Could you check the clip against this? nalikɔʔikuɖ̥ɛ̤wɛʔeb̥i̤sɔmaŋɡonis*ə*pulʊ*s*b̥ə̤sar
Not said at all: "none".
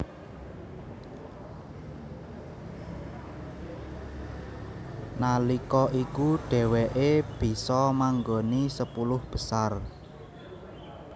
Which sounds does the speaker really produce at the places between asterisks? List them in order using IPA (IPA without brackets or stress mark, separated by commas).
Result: ə, h